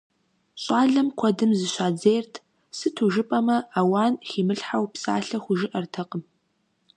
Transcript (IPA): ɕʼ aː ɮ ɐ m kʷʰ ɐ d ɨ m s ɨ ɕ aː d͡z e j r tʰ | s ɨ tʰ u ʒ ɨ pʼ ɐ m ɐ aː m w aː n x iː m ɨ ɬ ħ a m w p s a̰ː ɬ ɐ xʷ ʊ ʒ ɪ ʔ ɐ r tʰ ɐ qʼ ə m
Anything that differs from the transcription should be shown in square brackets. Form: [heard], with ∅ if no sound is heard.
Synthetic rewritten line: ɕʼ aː ɮ ɐ m kʷʰ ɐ d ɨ m [z] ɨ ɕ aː d͡z e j r tʰ | s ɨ tʰ u ʒ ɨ pʼ ɐ m ɐ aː [∅] w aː n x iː m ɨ ɬ ħ a [∅] w p s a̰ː ɬ ɐ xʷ ʊ ʒ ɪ ʔ ɐ r tʰ ɐ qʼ ə m

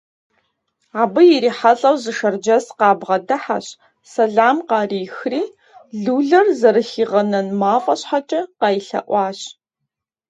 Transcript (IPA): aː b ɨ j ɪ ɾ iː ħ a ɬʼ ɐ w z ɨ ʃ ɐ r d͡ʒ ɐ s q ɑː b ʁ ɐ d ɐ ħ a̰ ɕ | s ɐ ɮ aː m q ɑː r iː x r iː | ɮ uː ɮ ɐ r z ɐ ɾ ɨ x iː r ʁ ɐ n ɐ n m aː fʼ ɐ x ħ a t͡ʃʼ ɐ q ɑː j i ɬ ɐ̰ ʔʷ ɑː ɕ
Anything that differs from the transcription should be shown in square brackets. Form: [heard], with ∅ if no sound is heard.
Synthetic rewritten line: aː b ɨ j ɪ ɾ iː ħ a ɬʼ ɐ w z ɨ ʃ ɐ r d͡ʒ ɐ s q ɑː b ʁ ɐ d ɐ ħ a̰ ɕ | s ɐ ɮ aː m q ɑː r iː x r iː | ɮ uː ɮ ɐ r z ɐ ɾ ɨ x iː [∅] ʁ ɐ n ɐ n m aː fʼ ɐ [ɕ] ħ a t͡ʃʼ ɐ q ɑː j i ɬ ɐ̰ ʔʷ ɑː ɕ

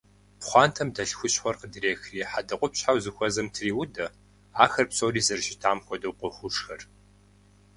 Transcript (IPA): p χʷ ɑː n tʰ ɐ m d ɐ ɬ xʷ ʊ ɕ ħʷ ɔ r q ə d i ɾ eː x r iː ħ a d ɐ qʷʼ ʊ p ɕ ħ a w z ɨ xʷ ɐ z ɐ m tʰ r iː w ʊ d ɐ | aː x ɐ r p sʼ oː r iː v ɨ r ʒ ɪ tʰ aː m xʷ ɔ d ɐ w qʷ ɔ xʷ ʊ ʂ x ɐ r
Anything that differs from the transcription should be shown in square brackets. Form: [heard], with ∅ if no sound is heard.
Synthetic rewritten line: p χʷ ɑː n tʰ ɐ m d ɐ ɬ xʷ ʊ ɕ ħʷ ɔ r q ə d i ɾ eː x r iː ħ a d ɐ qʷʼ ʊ p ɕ ħ a w z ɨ xʷ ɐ z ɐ m tʰ r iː w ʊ d ɐ | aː x ɐ r p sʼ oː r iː [z] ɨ r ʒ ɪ tʰ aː m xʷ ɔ d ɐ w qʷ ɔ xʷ ʊ ʂ x ɐ r

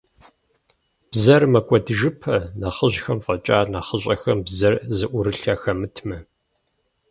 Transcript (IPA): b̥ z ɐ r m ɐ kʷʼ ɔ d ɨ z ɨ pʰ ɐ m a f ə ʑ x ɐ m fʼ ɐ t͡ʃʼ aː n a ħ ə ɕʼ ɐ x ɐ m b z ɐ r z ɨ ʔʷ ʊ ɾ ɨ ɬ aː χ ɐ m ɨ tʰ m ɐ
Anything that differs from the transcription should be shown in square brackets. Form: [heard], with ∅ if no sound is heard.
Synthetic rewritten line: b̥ z ɐ r m ɐ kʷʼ ɔ d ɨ [ʒ] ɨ pʰ ɐ [n] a [χ] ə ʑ x ɐ m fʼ ɐ t͡ʃʼ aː n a [χ] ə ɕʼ ɐ x ɐ m b z ɐ r z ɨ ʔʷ ʊ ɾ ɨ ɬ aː [x] ɐ m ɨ tʰ m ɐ

